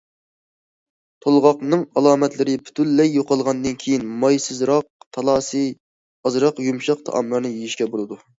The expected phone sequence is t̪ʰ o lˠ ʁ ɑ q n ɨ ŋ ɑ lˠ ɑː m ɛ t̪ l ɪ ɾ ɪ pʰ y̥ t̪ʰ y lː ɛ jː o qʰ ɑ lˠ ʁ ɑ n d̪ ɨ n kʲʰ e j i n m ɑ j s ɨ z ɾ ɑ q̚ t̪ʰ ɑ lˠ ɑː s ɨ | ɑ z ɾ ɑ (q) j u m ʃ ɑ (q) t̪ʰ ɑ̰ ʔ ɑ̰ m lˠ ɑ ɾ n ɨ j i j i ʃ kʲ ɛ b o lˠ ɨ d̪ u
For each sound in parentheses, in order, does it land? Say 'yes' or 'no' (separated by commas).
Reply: yes, yes